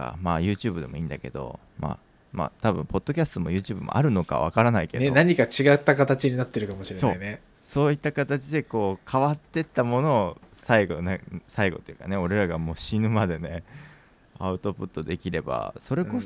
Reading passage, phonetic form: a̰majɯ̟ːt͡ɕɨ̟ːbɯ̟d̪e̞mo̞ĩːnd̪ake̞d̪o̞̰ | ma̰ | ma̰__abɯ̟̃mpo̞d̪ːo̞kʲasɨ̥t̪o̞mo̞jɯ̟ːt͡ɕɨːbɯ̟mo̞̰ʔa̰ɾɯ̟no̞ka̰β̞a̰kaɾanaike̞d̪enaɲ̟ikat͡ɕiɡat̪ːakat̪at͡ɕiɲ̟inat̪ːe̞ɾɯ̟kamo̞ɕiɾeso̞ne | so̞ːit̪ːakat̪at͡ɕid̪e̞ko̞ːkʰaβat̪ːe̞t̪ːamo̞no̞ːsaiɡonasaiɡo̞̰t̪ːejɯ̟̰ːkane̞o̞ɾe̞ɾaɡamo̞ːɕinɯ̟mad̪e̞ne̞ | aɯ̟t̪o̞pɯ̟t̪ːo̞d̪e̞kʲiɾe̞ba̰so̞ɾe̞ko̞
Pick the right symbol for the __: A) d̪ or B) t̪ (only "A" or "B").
B